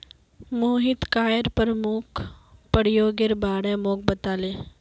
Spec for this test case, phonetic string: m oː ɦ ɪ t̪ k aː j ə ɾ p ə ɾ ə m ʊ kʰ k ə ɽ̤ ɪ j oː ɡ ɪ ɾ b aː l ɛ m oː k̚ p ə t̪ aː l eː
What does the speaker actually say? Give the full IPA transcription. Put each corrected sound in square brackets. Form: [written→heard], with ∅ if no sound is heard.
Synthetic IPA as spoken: m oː ɦ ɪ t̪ k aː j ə ɾ p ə ɾ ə m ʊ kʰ [k→p] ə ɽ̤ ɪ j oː ɡ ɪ ɾ b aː [l→ɽ] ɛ m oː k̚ [p→b] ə t̪ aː l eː